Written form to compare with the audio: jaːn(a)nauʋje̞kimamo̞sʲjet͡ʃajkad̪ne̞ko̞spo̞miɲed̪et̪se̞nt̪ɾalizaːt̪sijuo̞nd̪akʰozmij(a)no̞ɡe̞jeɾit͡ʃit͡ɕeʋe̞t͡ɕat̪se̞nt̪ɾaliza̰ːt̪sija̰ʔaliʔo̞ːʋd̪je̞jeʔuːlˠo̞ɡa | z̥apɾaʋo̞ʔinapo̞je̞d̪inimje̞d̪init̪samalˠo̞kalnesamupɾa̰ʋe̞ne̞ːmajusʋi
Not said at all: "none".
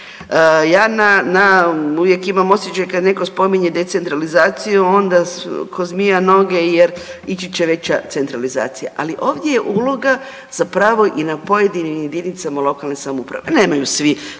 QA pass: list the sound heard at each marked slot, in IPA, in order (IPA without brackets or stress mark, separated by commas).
a, a